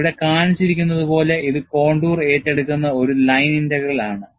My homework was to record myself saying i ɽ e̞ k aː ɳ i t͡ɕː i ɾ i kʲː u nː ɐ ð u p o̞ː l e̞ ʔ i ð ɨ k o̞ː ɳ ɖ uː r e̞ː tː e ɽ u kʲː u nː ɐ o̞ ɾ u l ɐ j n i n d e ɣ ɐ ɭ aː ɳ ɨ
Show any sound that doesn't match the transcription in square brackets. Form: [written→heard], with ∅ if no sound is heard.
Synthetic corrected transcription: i ɽ e̞ k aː ɳ i t͡ɕː i ɾ i kʲː u nː ɐ ð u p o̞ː l e̞ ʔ i ð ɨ k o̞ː ɳ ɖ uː r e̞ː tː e ɽ u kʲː u nː ɐ o̞ ɾ u l ɐ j n i n d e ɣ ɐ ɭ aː ɳ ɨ